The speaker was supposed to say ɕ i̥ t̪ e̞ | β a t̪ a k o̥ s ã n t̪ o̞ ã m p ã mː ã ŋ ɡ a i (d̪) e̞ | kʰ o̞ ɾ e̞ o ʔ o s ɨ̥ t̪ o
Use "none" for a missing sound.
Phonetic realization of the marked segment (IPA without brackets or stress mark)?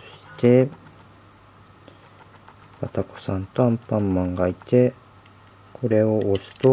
t̪